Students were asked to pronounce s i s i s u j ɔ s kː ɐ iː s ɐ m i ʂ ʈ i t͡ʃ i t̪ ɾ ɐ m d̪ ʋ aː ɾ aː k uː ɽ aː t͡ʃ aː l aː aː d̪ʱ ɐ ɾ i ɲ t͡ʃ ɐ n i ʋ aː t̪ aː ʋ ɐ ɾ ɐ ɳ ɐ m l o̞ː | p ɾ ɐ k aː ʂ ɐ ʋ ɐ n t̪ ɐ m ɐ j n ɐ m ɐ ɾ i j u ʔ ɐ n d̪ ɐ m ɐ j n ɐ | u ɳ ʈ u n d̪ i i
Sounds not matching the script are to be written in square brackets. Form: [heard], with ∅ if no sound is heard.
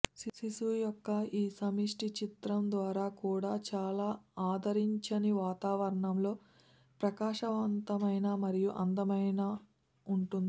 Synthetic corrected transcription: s i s i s u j ɔ [∅] kː ɐ iː s ɐ m i ʂ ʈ i t͡ʃ i t̪ ɾ ɐ m d̪ ʋ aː ɾ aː k uː ɽ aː t͡ʃ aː l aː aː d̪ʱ ɐ ɾ i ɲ t͡ʃ ɐ n i ʋ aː t̪ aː ʋ ɐ ɾ ɐ ɳ ɐ m l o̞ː | p ɾ ɐ k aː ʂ ɐ ʋ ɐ n t̪ ɐ m ɐ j n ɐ m ɐ ɾ i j u ʔ ɐ n d̪ ɐ m ɐ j n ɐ | u ɳ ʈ u n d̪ i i